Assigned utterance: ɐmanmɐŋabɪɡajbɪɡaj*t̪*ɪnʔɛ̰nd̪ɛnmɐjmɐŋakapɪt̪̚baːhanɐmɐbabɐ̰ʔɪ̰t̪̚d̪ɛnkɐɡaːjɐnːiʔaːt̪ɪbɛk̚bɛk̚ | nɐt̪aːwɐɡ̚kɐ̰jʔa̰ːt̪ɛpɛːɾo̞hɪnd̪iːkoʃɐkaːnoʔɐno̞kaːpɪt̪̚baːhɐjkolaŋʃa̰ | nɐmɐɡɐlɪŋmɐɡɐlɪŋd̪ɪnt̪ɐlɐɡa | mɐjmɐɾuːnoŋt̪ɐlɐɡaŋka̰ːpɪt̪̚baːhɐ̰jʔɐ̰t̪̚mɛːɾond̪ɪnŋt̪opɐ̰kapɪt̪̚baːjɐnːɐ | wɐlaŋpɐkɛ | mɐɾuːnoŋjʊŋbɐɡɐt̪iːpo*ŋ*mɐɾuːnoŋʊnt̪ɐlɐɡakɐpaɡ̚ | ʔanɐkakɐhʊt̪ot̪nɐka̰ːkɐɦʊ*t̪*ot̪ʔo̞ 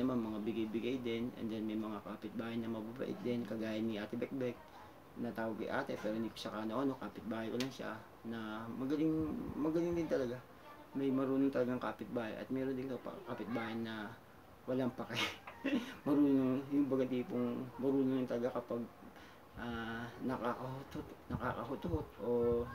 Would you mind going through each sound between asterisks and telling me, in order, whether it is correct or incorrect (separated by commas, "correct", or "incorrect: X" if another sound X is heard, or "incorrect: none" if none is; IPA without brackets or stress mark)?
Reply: incorrect: d̪, correct, correct